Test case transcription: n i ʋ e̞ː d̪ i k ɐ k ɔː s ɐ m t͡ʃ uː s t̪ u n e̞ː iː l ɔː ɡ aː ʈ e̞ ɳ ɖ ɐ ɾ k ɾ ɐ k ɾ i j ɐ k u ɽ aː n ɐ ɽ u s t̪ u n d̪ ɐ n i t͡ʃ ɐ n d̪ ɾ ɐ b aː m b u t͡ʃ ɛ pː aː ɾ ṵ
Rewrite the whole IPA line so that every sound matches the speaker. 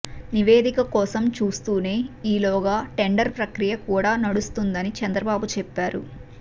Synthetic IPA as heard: n i ʋ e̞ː d̪ i k ɐ k ɔː s ɐ m t͡ʃ uː s t̪ uː n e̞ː iː l ɔː ɡ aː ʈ e̞ ɳ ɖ ɐ ɾ p ɾ ɐ k ɾ i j ɐ k uː ɽ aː n ɐ ɽ u s t̪ u n d̪ ɐ n i t͡ʃ ɐ n d̪ ɾ ɐ b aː b u t͡ʃ ɛ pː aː ɾ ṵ